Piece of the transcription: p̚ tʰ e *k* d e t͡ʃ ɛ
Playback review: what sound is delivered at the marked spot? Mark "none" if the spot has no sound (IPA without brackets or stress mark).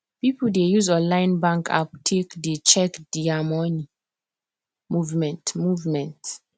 k